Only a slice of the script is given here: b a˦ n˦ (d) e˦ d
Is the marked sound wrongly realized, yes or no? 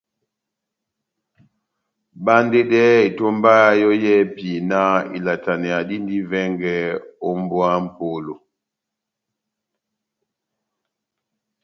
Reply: no